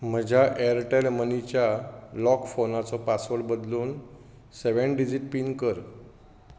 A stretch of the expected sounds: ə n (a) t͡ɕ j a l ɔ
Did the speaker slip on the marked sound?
yes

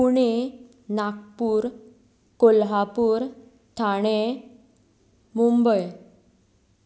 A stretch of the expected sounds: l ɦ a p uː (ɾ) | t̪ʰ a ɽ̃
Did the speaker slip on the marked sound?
no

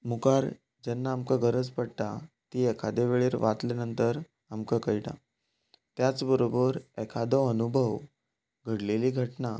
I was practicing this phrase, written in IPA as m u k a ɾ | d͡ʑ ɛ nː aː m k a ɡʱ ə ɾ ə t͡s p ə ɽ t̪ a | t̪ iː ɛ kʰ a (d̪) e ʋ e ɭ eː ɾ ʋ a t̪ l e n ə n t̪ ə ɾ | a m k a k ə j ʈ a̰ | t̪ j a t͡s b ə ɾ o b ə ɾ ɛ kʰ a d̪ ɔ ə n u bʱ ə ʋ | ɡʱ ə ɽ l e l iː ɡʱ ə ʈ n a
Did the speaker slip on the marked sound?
no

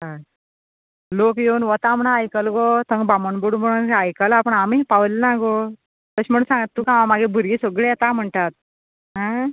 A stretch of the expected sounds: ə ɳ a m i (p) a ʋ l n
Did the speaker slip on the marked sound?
no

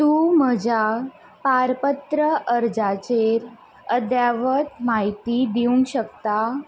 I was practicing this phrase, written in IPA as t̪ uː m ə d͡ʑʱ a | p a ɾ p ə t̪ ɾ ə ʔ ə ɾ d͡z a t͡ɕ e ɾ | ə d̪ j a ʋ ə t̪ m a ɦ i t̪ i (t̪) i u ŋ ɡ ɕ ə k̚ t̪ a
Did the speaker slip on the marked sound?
yes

